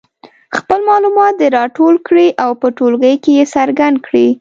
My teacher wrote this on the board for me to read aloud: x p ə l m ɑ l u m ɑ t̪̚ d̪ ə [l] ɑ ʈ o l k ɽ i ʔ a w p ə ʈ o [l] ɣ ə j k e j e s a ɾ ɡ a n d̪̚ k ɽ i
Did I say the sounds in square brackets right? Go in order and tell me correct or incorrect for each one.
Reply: incorrect, correct

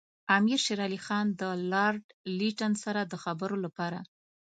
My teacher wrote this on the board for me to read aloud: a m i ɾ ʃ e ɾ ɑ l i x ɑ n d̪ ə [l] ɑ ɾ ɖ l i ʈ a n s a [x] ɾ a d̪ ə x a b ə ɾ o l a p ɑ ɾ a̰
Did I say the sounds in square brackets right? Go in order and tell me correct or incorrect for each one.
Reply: correct, incorrect

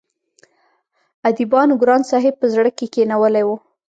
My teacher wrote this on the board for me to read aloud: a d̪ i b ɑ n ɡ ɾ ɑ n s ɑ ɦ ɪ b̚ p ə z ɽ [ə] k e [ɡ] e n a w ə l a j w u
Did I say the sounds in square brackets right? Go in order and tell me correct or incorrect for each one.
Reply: correct, incorrect

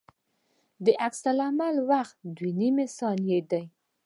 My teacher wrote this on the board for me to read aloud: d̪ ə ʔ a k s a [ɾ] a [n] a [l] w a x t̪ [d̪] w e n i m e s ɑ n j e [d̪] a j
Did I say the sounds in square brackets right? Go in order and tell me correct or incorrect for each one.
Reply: incorrect, incorrect, correct, correct, correct

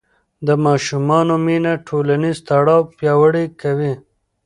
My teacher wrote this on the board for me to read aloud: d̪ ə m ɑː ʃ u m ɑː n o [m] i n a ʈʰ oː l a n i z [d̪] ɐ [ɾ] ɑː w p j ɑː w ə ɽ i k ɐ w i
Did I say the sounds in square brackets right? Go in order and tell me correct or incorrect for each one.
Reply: correct, incorrect, incorrect

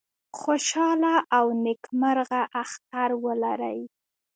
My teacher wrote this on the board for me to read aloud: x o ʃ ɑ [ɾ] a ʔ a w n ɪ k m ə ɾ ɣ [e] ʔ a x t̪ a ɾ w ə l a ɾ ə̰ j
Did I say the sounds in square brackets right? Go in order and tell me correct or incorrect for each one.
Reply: incorrect, incorrect

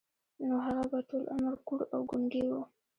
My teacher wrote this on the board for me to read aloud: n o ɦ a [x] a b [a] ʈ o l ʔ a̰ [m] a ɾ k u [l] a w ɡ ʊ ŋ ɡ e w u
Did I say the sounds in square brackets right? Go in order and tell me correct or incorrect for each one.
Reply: incorrect, correct, correct, incorrect

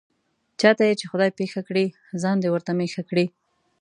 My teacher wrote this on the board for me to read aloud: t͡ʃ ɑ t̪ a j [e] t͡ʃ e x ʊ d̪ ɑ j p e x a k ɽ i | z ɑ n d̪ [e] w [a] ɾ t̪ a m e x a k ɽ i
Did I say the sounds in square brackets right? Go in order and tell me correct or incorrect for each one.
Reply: correct, correct, incorrect

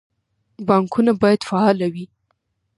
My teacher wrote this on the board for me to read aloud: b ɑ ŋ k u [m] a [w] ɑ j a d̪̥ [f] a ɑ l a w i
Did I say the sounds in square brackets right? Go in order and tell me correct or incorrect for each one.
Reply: incorrect, incorrect, correct

